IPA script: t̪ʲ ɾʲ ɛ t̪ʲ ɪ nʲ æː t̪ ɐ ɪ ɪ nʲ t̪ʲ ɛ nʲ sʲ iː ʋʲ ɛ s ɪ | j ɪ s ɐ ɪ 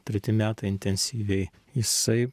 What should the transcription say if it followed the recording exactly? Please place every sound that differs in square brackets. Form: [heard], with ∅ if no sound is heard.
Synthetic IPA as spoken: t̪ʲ ɾʲ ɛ t̪ʲ ɪ [mʲ] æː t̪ ɐ ɪ ɪ nʲ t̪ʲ ɛ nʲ sʲ iː ʋʲ ɛ [∅] ɪ | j ɪ s ɐ ɪ